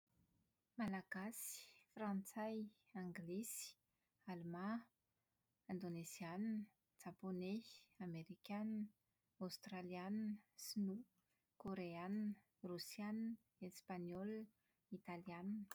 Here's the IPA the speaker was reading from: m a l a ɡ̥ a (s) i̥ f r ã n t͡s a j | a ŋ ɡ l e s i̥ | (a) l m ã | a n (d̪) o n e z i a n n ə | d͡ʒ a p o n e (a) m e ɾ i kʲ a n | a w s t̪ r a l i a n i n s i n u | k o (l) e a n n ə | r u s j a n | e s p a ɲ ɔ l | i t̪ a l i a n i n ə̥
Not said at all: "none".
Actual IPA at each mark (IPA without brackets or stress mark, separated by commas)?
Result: s, a, d̪, a, ɾ